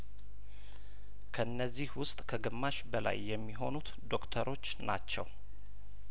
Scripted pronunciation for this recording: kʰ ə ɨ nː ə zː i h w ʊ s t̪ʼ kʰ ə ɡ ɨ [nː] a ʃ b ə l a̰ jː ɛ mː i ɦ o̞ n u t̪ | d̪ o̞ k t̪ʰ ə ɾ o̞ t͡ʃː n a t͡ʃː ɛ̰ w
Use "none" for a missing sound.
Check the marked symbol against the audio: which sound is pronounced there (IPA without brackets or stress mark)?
mː